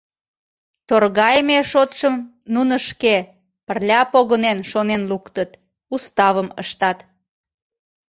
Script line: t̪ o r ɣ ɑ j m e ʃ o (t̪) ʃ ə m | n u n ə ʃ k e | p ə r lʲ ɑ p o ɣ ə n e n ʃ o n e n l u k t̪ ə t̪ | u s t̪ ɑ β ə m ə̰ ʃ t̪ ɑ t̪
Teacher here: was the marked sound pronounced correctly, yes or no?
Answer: yes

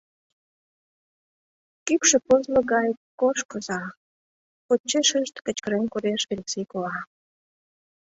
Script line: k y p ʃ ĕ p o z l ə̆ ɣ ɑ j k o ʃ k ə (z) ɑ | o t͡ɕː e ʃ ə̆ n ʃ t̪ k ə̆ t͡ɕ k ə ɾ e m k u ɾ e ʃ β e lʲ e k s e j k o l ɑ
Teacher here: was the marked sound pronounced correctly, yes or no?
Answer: yes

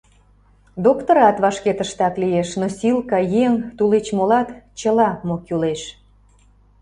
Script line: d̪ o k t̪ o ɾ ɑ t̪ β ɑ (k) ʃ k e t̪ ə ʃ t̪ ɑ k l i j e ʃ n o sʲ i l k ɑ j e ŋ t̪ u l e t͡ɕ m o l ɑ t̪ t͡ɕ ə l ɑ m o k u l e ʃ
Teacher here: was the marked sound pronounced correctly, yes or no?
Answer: no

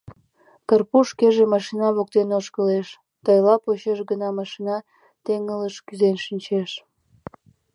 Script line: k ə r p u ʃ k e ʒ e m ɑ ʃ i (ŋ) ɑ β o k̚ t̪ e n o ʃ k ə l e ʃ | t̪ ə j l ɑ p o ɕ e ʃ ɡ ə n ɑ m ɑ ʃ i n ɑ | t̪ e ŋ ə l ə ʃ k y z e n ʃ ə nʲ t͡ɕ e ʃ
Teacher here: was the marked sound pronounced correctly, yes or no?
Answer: no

